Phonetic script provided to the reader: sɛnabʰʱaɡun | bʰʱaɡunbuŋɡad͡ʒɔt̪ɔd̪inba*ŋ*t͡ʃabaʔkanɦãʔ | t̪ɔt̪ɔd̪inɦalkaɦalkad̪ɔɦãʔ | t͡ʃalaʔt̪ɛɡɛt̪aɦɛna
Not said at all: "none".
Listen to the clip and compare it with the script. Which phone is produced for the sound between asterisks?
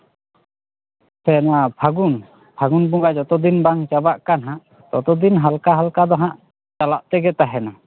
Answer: ŋ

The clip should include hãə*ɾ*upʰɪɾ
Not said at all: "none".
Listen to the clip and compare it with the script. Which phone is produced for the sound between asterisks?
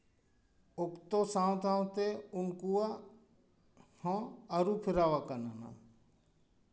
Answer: ɾ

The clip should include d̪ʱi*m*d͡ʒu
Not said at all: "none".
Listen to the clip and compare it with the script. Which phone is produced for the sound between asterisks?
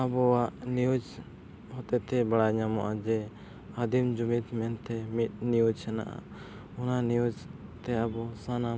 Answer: m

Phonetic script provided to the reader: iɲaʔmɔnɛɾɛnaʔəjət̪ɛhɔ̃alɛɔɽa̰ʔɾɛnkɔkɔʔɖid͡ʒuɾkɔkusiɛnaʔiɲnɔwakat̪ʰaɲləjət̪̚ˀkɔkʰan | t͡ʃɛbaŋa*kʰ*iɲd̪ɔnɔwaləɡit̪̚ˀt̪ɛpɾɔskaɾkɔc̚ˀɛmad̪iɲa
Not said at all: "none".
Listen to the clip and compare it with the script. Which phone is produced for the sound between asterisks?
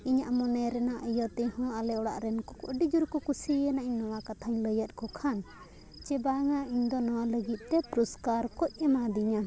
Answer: none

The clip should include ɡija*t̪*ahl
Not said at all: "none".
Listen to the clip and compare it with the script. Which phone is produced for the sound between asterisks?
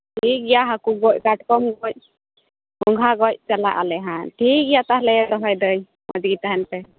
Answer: t̪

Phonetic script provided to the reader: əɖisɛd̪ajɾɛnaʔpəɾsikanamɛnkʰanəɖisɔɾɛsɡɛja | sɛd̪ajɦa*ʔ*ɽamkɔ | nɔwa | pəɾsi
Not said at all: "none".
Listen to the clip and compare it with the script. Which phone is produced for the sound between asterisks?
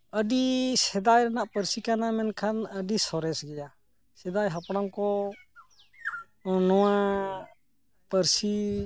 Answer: p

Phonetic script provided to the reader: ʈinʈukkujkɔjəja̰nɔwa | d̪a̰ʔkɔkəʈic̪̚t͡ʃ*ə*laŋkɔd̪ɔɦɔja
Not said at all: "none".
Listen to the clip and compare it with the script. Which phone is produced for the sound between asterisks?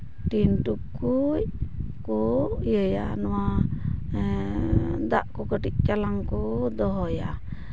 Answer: a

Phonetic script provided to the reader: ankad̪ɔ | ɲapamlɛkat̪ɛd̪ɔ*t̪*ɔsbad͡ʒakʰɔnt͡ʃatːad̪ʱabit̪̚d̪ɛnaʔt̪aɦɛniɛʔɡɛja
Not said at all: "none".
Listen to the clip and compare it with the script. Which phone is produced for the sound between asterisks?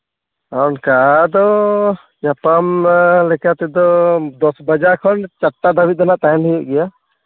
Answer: d̪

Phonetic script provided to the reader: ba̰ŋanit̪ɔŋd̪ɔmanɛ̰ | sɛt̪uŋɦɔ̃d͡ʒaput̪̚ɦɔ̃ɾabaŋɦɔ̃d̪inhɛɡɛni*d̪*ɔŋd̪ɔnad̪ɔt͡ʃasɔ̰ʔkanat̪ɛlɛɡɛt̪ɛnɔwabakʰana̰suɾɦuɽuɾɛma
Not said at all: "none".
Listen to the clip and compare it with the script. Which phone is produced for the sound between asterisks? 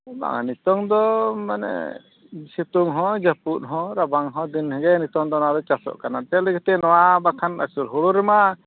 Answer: t̪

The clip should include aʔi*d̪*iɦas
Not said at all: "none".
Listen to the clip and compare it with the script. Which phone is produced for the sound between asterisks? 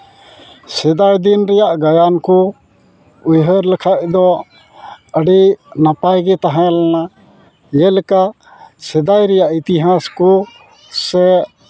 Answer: t̪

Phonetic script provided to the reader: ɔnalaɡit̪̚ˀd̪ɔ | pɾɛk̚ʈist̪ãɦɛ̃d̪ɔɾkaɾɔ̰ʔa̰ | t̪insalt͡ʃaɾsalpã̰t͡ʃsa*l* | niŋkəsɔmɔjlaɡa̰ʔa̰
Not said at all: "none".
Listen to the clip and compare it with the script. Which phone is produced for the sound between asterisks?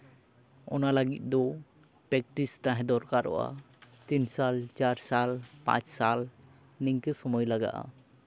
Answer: l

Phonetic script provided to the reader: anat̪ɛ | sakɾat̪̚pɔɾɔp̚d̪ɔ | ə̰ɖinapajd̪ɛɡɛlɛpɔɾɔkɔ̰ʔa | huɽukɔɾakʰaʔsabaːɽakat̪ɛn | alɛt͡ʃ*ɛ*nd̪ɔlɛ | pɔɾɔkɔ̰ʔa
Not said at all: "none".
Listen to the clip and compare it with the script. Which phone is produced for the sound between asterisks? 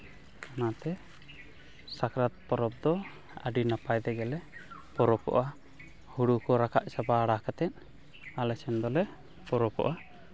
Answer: ɛ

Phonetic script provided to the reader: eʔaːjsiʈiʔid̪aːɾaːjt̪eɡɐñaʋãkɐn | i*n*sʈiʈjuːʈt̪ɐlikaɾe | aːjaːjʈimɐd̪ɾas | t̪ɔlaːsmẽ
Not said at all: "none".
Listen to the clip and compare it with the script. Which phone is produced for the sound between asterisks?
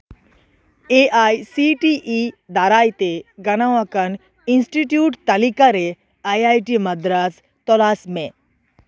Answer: n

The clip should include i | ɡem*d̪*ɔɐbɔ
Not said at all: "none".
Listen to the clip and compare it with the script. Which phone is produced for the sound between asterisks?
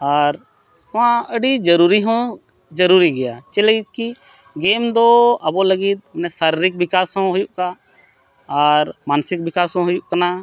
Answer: d̪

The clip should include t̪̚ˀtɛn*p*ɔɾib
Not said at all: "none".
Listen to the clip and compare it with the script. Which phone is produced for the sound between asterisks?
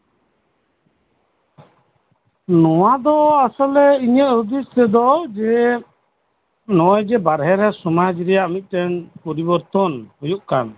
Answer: p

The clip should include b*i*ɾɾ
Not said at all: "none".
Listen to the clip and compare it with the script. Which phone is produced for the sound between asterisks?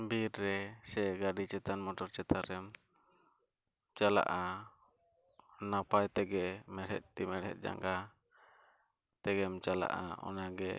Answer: i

